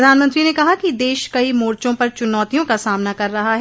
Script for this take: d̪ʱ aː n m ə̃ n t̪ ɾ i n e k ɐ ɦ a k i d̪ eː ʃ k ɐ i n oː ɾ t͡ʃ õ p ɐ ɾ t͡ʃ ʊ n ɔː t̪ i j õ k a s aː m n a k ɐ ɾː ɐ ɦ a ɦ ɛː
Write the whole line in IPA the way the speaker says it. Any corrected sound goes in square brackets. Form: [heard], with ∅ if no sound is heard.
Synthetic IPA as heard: d̪ʱ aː n m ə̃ n t̪ ɾ i n e k ɐ ɦ a k i d̪ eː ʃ k ɐ i [m] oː ɾ t͡ʃ õ p ɐ ɾ t͡ʃ ʊ n ɔː t̪ i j õ k a s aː m n a k ɐ ɾː ɐ ɦ a ɦ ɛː